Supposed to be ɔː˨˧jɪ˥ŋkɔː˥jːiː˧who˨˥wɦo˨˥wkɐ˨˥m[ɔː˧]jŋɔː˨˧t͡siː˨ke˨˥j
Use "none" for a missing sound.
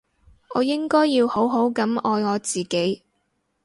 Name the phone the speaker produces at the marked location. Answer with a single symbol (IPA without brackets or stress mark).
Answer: ɔː˧